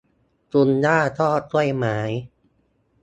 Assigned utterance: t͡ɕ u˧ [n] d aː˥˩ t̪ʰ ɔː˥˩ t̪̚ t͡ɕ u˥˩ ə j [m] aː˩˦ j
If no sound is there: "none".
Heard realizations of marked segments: n, m

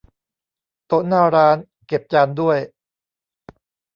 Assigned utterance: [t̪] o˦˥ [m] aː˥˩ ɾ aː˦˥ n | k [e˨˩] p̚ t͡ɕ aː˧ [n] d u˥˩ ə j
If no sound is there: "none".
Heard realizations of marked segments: t̪, n, e˨˩, n

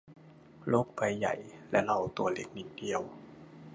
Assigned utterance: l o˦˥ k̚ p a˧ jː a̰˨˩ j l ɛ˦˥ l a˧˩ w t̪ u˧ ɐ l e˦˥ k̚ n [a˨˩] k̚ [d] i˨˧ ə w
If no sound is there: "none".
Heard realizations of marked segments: i˨˩, d

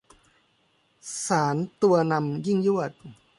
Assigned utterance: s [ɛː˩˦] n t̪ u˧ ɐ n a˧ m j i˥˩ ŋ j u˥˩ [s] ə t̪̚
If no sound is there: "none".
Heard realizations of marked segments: aː˩˦, none

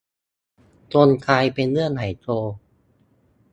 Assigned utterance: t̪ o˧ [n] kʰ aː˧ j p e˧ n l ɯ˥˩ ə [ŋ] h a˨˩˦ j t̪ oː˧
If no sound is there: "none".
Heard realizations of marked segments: n, n

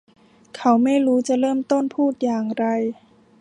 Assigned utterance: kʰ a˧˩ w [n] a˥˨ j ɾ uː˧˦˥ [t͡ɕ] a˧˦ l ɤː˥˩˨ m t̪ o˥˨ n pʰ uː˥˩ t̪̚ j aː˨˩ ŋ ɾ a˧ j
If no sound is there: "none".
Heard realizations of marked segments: m, t͡ɕ

